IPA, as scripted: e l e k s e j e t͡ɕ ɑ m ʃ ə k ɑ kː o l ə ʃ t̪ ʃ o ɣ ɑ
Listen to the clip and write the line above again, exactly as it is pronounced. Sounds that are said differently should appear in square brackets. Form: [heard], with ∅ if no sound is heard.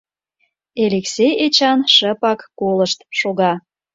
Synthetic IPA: e l e k s e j e t͡ɕ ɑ [n] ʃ ə [p] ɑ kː o l ə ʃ t̪ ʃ o ɣ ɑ